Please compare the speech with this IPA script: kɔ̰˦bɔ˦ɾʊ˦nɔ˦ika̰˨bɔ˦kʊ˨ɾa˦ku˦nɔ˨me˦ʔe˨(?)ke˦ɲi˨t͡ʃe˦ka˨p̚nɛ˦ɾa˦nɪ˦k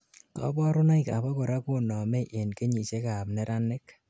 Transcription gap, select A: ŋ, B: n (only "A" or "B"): B